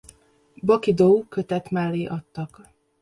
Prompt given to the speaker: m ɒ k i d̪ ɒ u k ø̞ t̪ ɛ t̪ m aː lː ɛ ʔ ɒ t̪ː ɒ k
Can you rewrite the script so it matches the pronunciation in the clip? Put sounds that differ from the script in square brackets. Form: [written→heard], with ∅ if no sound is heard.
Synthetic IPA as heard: [m→b] ɒ k i d̪ [ɒ→o] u k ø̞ t̪ ɛ t̪ m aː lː [ɛ→i] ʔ ɒ t̪ː ɒ k